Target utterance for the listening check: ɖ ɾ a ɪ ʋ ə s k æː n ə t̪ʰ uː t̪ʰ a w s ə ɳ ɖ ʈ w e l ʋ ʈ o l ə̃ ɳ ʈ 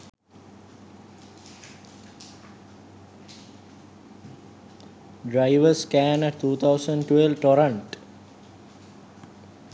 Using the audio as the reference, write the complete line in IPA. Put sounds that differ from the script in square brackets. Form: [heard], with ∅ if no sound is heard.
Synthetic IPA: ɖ ɾ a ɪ ʋ ə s k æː n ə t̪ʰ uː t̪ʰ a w s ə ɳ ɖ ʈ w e l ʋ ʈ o [ɾ] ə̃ ɳ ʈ